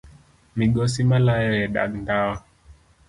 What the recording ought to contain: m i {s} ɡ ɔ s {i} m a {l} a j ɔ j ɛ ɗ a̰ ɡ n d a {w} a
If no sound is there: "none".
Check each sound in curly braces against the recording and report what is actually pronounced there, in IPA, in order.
none, i, l, w

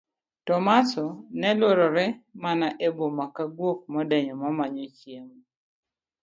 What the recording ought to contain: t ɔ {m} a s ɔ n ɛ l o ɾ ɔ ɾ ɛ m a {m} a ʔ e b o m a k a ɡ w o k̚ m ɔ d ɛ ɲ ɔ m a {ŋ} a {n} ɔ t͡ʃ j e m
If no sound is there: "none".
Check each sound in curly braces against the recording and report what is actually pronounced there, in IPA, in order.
m, n, m, ɲ

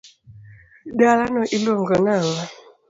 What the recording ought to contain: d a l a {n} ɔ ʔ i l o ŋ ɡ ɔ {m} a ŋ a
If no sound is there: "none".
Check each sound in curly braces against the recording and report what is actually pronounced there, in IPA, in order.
n, n

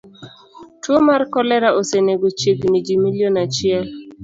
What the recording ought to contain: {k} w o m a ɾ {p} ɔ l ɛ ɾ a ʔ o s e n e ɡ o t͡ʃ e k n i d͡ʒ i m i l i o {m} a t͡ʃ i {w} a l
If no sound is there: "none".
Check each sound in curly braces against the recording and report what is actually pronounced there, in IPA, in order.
t, k, n, none

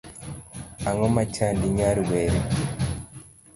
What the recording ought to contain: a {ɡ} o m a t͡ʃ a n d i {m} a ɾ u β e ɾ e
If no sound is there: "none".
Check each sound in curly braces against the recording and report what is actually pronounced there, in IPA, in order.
ŋ, ɲ

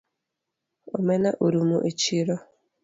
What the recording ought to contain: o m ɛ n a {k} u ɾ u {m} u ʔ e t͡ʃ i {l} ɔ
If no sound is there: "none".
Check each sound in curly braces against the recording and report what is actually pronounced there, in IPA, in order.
ʔ, m, ɾ

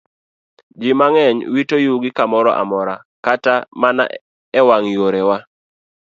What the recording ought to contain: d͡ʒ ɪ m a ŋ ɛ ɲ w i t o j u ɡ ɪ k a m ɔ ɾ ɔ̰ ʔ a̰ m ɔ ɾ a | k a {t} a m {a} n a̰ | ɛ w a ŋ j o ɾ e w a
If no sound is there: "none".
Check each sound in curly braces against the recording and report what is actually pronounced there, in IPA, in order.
t, a

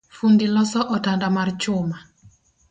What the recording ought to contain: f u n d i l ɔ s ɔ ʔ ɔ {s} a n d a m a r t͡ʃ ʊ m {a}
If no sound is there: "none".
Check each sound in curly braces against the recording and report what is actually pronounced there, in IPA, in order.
t, a

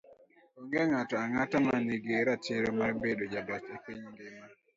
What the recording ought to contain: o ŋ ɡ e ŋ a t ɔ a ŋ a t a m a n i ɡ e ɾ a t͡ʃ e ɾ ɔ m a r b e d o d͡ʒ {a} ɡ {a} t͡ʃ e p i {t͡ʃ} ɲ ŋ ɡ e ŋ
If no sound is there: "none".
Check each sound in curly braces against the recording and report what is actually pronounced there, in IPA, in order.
a, a, none

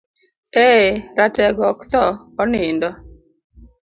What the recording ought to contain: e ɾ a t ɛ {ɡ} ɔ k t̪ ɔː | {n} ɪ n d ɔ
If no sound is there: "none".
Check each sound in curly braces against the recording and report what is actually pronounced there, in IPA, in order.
ɡ, n

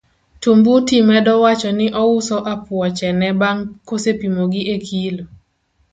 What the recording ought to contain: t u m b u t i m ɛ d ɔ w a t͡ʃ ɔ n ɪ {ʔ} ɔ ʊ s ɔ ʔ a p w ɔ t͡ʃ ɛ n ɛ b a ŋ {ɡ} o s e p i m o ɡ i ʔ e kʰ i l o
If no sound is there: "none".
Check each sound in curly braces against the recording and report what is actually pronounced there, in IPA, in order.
ʔ, k

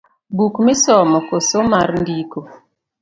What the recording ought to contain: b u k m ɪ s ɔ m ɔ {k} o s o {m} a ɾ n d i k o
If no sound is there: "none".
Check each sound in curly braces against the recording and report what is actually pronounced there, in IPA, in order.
k, m

